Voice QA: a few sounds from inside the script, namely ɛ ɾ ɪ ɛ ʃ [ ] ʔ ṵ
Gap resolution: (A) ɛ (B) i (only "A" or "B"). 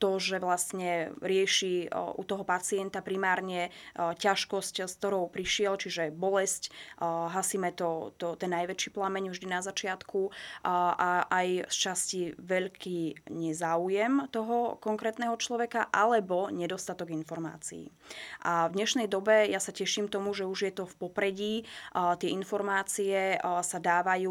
B